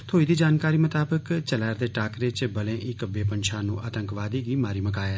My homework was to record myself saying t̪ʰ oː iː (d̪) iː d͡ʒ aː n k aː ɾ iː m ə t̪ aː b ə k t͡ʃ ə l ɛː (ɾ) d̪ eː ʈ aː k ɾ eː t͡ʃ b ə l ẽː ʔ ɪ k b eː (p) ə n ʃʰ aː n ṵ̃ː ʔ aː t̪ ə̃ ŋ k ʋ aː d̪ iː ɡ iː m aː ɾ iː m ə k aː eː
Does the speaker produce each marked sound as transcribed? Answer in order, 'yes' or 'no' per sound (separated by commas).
yes, yes, yes